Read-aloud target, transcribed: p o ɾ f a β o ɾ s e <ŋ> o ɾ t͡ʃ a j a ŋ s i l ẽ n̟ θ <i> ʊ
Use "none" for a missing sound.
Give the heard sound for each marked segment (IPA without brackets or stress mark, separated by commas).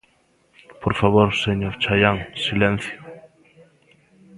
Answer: ɲ, j